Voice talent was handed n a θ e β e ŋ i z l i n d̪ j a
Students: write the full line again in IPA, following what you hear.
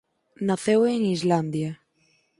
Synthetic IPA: n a θ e w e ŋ i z l a n d̪ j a